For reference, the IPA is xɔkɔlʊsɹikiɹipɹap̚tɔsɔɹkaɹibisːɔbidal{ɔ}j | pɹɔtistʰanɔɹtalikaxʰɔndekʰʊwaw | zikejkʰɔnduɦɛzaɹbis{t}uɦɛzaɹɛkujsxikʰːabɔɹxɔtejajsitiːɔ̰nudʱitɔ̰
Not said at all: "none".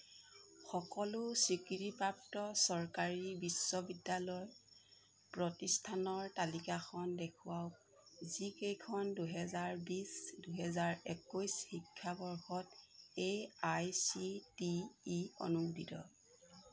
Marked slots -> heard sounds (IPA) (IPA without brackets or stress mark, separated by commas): ɔ, d